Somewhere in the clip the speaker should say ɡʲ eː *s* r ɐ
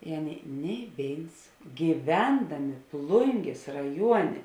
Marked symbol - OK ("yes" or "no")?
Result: yes